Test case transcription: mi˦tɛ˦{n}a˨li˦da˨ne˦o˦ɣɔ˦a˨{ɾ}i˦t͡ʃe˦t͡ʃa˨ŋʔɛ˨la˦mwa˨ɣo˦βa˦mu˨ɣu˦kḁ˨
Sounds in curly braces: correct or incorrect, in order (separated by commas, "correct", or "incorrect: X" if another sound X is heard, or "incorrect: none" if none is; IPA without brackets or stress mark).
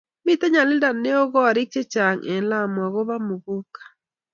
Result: incorrect: ɲ, correct